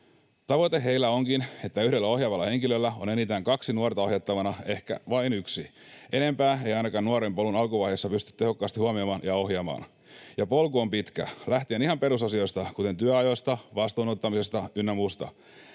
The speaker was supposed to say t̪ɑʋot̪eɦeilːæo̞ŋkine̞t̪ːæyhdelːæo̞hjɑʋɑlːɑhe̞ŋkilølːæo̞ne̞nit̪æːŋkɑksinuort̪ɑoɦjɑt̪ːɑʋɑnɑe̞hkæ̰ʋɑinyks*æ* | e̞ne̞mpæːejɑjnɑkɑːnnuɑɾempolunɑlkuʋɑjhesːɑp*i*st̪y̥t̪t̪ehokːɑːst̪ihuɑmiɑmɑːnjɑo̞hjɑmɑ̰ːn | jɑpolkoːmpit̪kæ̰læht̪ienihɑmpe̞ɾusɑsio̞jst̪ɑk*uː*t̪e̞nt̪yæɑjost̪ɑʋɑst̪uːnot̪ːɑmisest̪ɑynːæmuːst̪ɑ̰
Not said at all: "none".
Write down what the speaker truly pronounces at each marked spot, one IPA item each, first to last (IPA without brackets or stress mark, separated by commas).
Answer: i, y, u